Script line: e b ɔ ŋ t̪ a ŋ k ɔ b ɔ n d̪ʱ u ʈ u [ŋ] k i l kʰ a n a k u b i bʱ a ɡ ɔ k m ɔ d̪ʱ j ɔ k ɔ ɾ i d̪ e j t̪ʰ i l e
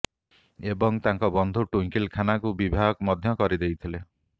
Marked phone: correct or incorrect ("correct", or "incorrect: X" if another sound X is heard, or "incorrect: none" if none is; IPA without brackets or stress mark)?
correct